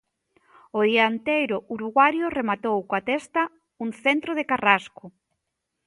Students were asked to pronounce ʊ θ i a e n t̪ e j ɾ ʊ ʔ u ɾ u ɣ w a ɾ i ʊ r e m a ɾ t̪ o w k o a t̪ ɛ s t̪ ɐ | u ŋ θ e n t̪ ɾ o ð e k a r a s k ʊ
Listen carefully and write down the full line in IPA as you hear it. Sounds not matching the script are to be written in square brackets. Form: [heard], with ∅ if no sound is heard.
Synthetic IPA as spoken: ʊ [ð] i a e n t̪ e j ɾ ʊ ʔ u ɾ u ɣ w a ɾ [j] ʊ r e m a [∅] t̪ o w k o a t̪ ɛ s t̪ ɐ | u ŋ θ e n t̪ ɾ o ð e k a r a s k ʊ